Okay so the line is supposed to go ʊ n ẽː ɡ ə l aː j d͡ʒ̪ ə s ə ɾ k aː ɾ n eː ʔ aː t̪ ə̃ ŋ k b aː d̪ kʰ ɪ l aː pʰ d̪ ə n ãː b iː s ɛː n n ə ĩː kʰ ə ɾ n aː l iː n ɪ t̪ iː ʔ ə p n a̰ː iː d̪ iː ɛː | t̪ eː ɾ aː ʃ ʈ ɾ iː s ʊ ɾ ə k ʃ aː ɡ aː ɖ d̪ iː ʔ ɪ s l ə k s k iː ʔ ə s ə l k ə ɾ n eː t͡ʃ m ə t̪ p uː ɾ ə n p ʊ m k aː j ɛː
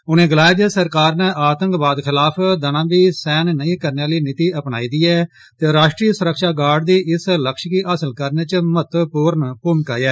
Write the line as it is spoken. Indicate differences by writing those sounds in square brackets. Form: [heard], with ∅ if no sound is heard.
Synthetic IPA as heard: ʊ n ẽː ɡ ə l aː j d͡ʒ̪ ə s ə ɾ k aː ɾ n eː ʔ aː t̪ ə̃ ŋ k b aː d̪ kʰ ɪ l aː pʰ d̪ ə n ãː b iː s ɛː n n ə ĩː [k] ə ɾ n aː l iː n ɪ t̪ iː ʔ ə p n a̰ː iː d̪ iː ɛː | t̪ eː ɾ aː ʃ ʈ ɾ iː s ʊ ɾ ə k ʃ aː ɡ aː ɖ d̪ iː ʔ ɪ s l ə k [ʃ] k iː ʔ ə s ə l k ə ɾ n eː t͡ʃ m ə t̪ p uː ɾ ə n p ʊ m k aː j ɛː